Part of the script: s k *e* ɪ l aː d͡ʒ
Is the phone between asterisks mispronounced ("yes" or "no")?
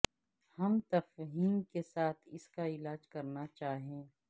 yes